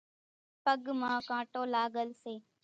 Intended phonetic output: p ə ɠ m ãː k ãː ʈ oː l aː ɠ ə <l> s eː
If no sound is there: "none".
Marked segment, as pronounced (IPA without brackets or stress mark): l